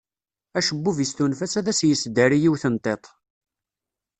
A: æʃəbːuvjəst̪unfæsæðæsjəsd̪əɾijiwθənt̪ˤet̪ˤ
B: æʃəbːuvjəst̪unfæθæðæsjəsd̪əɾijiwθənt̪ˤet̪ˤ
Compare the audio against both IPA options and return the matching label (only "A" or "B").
A